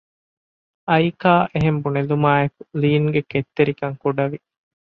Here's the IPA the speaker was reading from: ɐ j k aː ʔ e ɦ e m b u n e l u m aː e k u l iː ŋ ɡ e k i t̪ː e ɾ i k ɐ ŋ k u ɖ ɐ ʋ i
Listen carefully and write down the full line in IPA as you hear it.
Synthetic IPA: ɐ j k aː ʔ e ɦ e m b u n e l u m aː e k u l iː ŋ ɡ e k e t̪ː e ɾ i k ɐ ŋ k u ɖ ɐ ʋ i